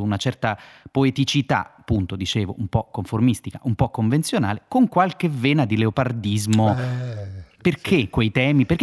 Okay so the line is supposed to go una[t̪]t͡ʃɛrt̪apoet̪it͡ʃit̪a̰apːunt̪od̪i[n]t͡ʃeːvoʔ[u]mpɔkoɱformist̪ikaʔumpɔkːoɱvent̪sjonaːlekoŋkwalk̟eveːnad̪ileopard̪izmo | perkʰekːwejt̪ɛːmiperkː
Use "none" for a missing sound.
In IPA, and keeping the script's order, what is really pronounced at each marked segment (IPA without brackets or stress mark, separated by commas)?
none, none, u